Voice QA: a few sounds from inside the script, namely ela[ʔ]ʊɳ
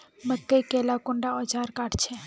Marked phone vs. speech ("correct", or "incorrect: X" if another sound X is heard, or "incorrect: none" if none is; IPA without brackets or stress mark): incorrect: k